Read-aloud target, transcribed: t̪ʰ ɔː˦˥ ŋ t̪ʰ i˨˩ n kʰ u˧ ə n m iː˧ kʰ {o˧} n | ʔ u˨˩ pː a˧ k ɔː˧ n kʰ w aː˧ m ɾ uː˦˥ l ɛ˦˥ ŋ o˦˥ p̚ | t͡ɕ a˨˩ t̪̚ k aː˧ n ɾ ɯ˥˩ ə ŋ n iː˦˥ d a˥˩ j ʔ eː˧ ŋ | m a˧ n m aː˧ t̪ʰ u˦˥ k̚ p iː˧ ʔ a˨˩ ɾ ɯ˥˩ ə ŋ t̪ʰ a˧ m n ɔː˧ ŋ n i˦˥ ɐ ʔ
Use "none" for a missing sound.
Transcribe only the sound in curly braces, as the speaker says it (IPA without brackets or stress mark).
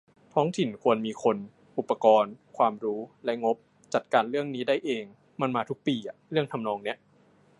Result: o˧